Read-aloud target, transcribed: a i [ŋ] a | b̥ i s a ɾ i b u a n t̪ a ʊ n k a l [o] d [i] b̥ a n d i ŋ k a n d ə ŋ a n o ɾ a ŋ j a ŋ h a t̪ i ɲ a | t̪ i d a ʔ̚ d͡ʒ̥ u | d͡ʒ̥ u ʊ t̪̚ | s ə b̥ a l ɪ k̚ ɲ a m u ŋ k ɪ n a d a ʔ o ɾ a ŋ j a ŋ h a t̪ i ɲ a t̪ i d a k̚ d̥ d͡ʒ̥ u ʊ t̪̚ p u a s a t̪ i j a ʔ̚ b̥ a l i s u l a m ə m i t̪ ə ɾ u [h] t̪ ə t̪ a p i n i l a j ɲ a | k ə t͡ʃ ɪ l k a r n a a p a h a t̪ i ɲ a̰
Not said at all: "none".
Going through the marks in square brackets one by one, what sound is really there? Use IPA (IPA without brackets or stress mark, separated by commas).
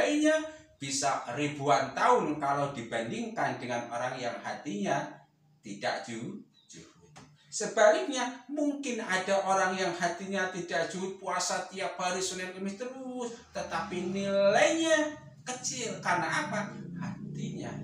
ɲ, o, i, s